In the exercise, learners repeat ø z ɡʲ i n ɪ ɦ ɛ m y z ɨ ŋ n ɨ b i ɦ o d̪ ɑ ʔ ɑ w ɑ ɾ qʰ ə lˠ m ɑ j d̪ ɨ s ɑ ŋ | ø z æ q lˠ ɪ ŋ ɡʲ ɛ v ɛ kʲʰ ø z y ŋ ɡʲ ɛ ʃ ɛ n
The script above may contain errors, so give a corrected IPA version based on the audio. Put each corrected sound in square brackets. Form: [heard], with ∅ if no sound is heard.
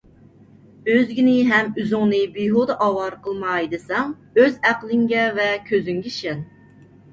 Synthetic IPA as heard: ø z ɡʲ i n ɪ ɦ ɛ m y z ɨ ŋ n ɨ b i ɦ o d̪ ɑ ʔ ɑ w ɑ ɾ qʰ ə lˠ m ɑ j d̪ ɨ s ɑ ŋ | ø z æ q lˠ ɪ ŋ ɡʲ ɛ v ɛ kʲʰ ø z y ŋ ɡʲ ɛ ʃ ɛ n